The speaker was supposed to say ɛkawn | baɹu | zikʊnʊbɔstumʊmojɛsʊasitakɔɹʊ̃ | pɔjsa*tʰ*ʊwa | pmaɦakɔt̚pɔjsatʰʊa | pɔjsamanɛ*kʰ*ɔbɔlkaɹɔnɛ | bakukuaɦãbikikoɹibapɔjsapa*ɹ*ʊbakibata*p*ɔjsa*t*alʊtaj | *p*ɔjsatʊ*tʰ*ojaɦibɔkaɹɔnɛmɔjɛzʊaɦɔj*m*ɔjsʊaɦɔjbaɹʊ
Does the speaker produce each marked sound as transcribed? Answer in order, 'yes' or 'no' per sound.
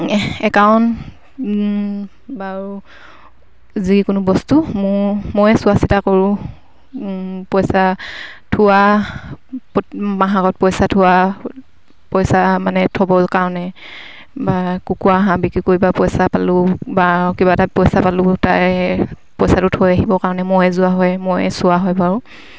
yes, no, no, yes, no, yes, yes, yes

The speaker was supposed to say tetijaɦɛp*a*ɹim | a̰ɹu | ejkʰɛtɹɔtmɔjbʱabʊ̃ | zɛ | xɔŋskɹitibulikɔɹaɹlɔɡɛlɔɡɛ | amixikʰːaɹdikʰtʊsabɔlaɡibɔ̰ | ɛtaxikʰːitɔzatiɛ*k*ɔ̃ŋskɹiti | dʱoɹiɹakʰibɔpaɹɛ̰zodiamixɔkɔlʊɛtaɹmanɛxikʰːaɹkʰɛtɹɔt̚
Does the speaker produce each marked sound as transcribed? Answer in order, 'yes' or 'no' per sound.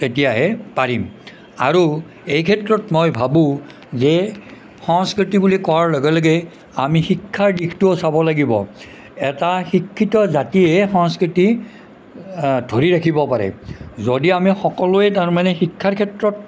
yes, no

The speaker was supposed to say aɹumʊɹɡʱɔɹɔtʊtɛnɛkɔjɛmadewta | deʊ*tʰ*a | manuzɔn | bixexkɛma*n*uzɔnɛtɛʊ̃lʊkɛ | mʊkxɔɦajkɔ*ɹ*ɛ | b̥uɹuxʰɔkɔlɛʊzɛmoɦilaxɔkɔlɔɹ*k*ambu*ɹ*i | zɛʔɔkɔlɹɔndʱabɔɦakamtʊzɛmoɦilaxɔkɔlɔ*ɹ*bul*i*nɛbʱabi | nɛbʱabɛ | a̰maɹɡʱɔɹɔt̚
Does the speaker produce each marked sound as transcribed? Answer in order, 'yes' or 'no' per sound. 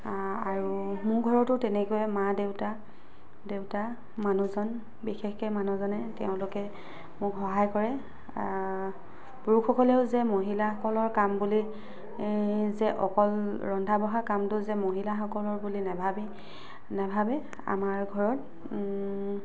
no, yes, yes, yes, no, yes, yes

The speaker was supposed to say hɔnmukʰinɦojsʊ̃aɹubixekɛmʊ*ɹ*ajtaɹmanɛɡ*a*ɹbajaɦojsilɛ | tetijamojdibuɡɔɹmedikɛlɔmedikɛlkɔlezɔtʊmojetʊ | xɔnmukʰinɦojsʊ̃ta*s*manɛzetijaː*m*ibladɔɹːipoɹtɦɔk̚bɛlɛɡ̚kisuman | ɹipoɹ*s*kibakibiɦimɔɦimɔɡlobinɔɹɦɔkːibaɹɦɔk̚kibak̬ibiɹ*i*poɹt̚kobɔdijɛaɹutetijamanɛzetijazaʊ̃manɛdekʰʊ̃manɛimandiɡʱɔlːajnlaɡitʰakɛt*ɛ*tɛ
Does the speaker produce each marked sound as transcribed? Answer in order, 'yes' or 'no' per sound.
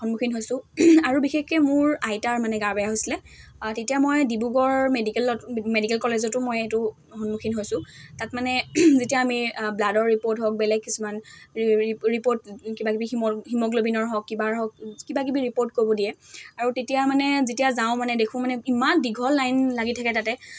yes, yes, no, yes, no, yes, no

